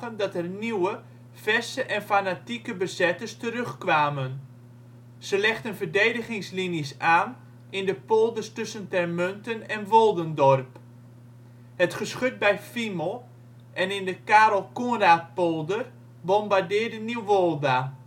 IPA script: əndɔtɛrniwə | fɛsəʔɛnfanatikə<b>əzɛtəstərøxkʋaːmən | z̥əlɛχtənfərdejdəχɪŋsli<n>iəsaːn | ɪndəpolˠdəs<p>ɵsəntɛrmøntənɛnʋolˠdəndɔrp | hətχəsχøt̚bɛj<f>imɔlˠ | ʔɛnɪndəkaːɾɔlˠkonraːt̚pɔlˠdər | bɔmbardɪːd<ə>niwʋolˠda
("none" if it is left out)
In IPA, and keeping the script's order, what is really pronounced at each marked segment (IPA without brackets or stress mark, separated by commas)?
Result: b, n, t, f, ə